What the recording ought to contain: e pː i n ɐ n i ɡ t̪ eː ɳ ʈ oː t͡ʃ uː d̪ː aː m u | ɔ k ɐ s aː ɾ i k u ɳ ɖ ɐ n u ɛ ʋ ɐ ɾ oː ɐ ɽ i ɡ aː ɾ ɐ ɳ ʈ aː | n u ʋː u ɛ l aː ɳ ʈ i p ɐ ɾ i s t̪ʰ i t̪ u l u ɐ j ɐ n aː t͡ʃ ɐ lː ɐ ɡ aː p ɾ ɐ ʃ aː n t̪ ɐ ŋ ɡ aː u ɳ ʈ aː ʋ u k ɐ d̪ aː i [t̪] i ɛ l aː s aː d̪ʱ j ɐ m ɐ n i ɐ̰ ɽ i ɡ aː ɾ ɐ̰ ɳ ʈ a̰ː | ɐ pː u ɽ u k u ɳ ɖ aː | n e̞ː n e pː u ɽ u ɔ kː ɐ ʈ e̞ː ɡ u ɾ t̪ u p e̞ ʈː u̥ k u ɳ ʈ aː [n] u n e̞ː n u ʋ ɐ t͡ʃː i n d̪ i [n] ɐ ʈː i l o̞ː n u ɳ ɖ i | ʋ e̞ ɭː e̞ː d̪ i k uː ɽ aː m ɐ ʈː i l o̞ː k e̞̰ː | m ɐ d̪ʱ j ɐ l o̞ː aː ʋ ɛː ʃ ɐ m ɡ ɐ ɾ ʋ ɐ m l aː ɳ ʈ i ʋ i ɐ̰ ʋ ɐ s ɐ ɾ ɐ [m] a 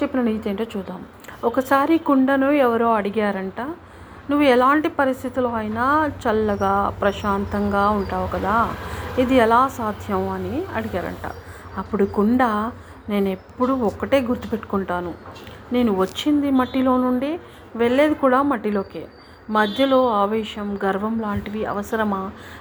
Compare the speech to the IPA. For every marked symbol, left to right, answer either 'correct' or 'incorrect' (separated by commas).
incorrect, correct, incorrect, correct